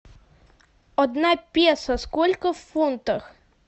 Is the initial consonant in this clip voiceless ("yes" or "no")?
no